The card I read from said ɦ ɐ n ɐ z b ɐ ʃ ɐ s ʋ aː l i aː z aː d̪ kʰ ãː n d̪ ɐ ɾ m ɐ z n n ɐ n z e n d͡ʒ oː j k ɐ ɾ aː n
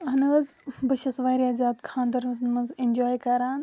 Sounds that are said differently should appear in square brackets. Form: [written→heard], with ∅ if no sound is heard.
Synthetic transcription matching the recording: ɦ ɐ n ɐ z b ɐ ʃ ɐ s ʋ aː [l→ɾ] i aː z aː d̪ kʰ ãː n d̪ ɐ ɾ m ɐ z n [n→m] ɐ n z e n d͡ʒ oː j k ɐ ɾ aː n